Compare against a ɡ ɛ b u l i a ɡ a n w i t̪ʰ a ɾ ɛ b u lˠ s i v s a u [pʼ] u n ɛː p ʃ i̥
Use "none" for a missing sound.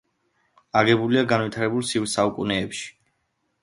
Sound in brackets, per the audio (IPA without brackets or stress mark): kʼ